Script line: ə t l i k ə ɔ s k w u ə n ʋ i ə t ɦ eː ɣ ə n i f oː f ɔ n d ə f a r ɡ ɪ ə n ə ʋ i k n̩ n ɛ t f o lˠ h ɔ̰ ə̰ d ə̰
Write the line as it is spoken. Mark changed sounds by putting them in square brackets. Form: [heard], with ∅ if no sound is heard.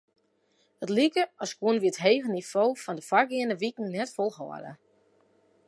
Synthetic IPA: ə t l i k ə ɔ s k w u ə n ʋ i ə t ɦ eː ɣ ə n i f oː f ɔ n d ə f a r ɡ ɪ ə n ə ʋ i k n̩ n ɛ t f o lˠ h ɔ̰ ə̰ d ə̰